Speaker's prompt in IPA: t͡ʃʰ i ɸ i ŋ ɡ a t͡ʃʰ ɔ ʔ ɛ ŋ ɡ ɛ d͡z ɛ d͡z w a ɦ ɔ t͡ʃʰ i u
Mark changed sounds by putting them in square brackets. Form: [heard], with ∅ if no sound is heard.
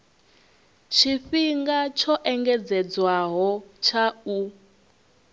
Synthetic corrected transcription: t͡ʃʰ i ɸ i ŋ ɡ a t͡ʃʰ ɔ ʔ ɛ ŋ ɡ ɛ d͡z ɛ d͡z w a ɦ ɔ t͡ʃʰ [a] u